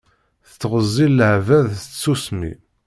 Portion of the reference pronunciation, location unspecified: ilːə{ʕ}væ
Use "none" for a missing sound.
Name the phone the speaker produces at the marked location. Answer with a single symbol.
ʕ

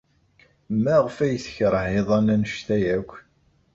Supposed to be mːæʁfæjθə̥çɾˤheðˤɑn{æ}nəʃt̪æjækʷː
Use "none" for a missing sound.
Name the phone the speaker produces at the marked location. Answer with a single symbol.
æ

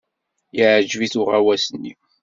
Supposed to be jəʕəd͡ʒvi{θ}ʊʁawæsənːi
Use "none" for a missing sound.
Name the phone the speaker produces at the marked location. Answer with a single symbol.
θ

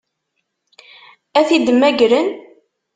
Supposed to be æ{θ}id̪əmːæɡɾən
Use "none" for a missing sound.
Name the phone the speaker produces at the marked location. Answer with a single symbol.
θ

